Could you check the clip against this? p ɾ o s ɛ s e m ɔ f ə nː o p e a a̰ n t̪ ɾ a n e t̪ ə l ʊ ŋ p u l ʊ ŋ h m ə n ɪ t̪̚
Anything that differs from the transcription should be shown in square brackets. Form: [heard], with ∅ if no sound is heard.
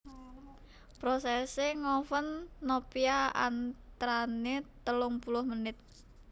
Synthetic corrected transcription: p ɾ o s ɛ s e [ŋ] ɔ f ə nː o p [i] a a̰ n t̪ ɾ a n e t̪ ə l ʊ ŋ p u l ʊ [∅] h m ə n ɪ t̪̚

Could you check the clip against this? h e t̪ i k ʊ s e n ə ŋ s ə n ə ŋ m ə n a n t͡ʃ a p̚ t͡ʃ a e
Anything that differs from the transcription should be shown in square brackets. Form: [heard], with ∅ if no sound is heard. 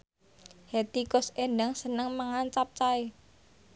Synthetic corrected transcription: h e t̪ i k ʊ s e n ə ŋ s ə n ə ŋ m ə [ŋ] a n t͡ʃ a p̚ t͡ʃ a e

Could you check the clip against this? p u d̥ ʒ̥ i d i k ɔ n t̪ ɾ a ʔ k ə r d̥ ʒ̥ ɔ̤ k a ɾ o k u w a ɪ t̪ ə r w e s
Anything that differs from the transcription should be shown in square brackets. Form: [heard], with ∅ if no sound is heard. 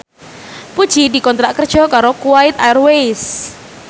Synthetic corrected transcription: p u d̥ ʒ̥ i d i k ɔ n t̪ ɾ a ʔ k ə r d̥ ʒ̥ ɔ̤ k a ɾ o k u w a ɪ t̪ [a] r w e s

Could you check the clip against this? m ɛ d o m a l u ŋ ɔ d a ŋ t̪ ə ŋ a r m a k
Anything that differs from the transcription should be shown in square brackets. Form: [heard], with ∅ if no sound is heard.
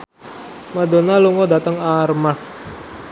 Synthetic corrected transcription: m [a] d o [n] a l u ŋ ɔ d a [∅] t̪ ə ŋ a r m a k

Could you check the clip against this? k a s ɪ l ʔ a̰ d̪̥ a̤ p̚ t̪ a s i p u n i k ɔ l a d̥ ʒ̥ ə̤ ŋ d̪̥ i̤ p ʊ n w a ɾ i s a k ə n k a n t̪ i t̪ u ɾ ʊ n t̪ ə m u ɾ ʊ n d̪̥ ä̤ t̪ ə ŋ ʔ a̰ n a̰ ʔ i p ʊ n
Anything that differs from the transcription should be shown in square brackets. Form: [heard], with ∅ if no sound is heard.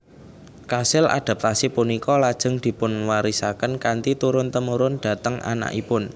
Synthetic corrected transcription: k a s ɪ l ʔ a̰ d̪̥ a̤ p̚ t̪ a s i p u n i k ɔ l a d̥ ʒ̥ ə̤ ŋ d̪̥ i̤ p ʊ n w a ɾ i s a k ə n k a n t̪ i t̪ u ɾ ʊ n t̪ ə m u ɾ ʊ n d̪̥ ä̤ t̪ ə ŋ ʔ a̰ n a̰ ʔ i p ʊ n

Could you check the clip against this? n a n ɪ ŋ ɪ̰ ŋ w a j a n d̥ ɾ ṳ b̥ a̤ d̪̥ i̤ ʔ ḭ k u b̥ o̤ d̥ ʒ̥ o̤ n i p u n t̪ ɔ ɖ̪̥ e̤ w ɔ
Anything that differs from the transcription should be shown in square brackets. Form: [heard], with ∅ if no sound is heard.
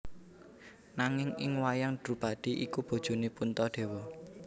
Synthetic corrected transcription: n a [ŋ] ɪ ŋ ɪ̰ ŋ w a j a [ŋ] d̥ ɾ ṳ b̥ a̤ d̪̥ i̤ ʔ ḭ k u b̥ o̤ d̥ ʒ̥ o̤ n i p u n t̪ ɔ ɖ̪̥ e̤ w ɔ

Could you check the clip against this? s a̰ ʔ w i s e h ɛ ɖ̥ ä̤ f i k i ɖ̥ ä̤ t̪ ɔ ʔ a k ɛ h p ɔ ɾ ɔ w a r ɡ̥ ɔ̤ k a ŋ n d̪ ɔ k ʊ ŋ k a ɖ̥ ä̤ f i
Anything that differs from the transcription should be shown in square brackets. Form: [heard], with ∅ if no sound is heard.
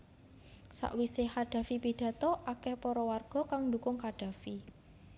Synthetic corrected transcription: s a̰ ʔ w i s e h [a] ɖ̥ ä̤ f i [p] i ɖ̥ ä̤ t̪ ɔ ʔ a k ɛ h p ɔ ɾ ɔ w a r ɡ̥ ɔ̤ k a ŋ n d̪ [u] k ʊ ŋ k a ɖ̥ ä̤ f i

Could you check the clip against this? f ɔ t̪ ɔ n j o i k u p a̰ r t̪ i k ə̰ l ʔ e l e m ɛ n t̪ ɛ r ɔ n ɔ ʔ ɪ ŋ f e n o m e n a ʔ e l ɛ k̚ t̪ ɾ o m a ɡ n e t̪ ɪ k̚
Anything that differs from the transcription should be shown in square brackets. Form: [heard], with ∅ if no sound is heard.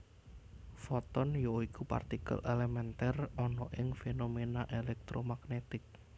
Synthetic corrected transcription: f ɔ t̪ ɔ n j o i k u p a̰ r t̪ i k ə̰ l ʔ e l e m ɛ n t̪ ɛ r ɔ n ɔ ʔ ɪ ŋ f e n o m e n a ʔ e l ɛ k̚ t̪ ɾ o m a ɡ n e t̪ ɪ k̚

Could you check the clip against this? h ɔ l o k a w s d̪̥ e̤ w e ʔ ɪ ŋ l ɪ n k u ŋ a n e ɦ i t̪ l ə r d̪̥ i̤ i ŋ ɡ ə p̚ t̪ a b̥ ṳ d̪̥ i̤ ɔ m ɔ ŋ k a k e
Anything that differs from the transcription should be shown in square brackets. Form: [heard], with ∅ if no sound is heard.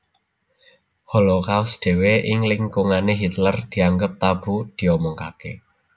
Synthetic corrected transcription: h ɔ l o k a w s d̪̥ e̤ w e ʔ ɪ ŋ l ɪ [ŋ] k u ŋ a n e ɦ i t̪ l ə r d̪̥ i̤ [a] ŋ ɡ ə p̚ t̪ a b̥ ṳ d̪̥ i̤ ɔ m ɔ ŋ k a k e

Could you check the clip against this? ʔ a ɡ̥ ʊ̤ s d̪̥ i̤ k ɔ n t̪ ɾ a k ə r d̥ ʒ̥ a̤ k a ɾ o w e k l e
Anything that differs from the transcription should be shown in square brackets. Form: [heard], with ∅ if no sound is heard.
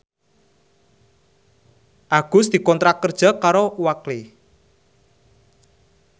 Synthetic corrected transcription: ʔ a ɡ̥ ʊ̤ s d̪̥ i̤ k ɔ n t̪ ɾ a k ə r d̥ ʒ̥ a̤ k a ɾ o w [a] k l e

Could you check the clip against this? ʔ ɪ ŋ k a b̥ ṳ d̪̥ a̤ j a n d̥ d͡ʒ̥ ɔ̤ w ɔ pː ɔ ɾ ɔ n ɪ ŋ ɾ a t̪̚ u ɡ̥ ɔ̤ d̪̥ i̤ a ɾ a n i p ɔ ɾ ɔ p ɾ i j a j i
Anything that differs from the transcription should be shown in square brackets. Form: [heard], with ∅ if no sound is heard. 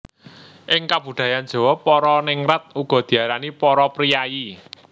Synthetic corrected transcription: ʔ ɪ ŋ k a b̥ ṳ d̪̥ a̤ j a n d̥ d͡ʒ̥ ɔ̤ w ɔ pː ɔ ɾ ɔ n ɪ ŋ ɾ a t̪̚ u ɡ̥ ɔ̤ d̪̥ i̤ a ɾ a n i p ɔ ɾ ɔ p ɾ i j a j i

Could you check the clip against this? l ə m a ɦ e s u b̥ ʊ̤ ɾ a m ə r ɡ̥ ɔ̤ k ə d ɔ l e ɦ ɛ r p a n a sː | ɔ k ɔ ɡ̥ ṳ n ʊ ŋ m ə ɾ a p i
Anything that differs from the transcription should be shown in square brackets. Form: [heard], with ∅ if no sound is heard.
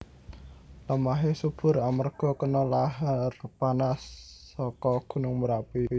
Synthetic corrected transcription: l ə m a ɦ e s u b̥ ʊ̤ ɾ a m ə r ɡ̥ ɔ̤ k ə [n] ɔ l [a] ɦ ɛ r p a n a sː | ɔ k ɔ ɡ̥ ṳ n ʊ ŋ m ə ɾ a p i

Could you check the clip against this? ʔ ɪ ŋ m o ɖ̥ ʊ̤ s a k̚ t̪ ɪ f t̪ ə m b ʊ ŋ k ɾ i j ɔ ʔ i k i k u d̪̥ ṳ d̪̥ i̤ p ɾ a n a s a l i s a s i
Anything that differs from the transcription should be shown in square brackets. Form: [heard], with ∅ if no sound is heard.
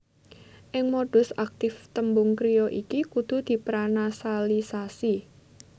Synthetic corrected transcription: ʔ ɪ ŋ m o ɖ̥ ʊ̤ s a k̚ t̪ ɪ f t̪ ə m b ʊ ŋ k ɾ i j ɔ ʔ i k i k u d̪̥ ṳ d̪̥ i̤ p ɾ a n a s a l i s a s i

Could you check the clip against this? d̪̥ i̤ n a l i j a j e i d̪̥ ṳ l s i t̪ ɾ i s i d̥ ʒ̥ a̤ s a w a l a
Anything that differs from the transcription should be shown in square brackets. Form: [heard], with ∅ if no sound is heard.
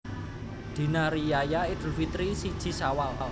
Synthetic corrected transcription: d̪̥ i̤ n a [ɾ] i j a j [a] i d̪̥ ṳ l [f] i t̪ ɾ i s i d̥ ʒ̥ [i̤] s a w a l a

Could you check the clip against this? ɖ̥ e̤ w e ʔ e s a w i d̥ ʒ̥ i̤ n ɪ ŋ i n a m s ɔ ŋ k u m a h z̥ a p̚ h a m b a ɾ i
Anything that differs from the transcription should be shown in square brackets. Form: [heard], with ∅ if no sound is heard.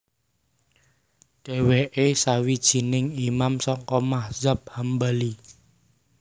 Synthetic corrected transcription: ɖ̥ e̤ w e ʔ e s a w i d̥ ʒ̥ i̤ n ɪ ŋ i [m] a m s ɔ ŋ k [ɔ] m a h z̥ a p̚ h a m b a [l] i

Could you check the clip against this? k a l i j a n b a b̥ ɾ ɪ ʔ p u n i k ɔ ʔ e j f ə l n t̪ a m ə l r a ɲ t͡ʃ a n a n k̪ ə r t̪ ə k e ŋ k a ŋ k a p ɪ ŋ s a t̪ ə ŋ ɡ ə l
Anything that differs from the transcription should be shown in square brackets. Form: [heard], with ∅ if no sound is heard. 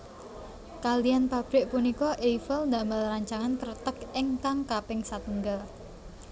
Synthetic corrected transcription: k a l i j a n [p] a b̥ ɾ ɪ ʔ p u n i k ɔ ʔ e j f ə l n [d̪] a m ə l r a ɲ t͡ʃ a [ŋ] a n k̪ ə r t̪ ə k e ŋ k a ŋ k a p ɪ ŋ s a t̪ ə ŋ ɡ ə l

